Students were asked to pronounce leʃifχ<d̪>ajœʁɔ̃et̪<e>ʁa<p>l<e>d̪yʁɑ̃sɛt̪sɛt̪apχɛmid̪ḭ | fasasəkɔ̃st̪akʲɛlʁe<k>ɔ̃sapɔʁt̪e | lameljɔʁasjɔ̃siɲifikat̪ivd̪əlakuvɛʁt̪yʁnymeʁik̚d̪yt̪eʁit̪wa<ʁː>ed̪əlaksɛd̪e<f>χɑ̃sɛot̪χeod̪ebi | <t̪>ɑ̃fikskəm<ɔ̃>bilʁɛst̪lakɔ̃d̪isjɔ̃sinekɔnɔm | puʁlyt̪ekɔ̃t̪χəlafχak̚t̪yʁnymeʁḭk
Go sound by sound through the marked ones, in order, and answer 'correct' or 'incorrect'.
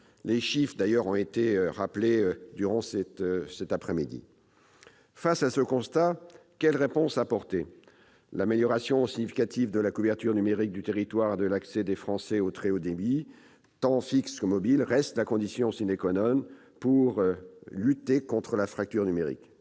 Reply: correct, correct, correct, correct, incorrect: p, incorrect: ʁ, correct, correct, incorrect: ɔ

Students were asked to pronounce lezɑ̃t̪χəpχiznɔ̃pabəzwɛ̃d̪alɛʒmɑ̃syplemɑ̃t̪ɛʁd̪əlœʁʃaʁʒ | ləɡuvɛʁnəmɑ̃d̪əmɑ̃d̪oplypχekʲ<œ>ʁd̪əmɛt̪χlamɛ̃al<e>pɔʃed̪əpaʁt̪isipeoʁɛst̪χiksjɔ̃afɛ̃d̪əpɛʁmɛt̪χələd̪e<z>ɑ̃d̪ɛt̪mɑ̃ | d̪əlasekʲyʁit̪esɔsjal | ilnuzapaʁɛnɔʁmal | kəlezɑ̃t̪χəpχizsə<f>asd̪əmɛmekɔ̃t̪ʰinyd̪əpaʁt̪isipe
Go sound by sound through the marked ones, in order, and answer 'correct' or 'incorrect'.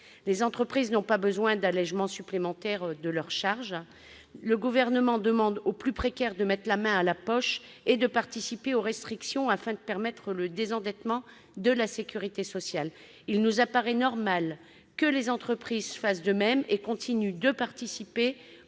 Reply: incorrect: ɛ, incorrect: a, correct, correct

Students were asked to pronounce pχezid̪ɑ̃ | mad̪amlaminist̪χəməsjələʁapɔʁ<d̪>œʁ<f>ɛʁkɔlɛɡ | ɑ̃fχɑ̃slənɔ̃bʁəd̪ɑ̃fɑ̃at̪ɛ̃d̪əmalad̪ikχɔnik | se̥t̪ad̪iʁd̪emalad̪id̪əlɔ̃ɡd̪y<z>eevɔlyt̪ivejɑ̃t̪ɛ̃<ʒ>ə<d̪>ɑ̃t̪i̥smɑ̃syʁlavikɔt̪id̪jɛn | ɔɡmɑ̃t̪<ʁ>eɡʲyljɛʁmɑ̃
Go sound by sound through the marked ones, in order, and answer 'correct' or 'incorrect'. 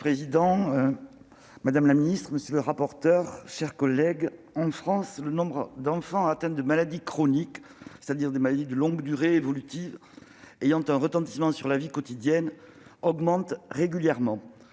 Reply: incorrect: t̪, incorrect: ʃ, incorrect: ʁ, incorrect: ʁ, incorrect: t̪, correct

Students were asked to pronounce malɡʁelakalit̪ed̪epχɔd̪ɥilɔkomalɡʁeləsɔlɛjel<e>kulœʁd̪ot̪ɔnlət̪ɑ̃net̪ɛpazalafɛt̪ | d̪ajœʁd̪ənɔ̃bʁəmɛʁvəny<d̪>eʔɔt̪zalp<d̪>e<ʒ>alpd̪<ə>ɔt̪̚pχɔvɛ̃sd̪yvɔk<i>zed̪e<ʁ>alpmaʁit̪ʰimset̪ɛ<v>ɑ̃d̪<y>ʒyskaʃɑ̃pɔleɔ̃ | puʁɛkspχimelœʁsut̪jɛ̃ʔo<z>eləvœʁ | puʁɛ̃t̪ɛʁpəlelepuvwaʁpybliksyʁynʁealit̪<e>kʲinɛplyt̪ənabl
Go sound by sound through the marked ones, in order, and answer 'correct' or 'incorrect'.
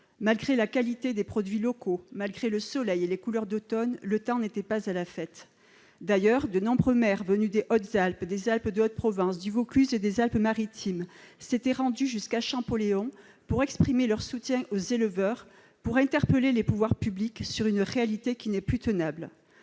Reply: correct, correct, correct, incorrect: z, correct, incorrect: y, incorrect: z, incorrect: ʁ, correct, correct, correct

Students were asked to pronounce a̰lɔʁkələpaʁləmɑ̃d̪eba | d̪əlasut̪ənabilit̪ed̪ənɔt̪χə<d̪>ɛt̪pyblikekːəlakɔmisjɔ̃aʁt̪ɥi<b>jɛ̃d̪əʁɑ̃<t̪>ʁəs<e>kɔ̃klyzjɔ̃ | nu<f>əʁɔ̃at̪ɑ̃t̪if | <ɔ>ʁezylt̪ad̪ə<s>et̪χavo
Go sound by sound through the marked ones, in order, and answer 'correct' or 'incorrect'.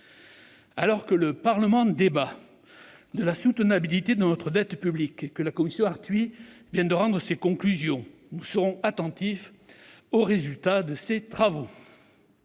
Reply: correct, incorrect: v, incorrect: d̪, correct, incorrect: s, incorrect: o, correct

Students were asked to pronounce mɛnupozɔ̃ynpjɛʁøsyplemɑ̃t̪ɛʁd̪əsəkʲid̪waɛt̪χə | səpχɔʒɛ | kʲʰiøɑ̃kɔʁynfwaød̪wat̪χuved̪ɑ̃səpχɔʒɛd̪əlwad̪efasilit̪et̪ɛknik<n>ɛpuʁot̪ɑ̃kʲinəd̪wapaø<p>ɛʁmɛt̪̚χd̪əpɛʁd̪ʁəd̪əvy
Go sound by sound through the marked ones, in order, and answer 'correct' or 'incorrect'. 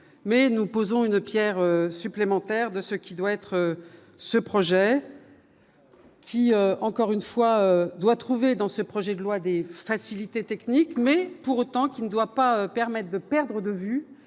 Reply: incorrect: m, correct

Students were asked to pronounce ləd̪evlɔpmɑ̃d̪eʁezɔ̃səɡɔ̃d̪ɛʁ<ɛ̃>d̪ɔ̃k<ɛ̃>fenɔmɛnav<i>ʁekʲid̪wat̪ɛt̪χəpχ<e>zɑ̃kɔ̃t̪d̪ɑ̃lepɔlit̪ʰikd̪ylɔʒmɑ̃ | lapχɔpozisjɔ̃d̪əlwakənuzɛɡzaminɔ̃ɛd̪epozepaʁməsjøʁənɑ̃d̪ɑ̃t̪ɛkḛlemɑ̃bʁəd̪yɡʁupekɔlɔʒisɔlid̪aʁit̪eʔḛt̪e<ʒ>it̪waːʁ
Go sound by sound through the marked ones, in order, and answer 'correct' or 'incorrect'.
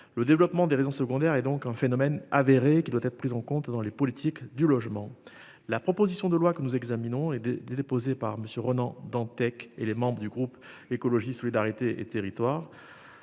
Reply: incorrect: ɛ, correct, incorrect: e, incorrect: i, incorrect: ʁ

